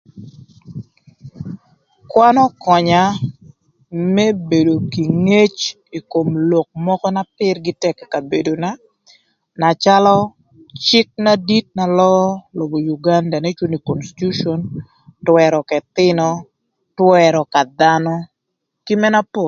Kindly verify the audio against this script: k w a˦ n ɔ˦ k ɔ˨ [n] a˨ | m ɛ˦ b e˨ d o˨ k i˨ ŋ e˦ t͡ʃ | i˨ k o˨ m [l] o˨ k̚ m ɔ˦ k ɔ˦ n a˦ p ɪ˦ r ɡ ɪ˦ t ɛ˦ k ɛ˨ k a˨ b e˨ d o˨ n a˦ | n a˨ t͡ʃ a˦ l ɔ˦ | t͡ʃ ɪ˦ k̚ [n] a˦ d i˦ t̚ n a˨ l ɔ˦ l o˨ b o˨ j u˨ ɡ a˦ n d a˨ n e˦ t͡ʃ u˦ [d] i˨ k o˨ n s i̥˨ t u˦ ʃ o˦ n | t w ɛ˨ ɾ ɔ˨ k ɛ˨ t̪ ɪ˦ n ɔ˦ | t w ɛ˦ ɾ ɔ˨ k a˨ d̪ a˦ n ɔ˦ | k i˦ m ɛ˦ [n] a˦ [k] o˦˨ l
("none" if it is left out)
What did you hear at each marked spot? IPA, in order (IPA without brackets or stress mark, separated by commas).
ɲ, l, n, n, n, p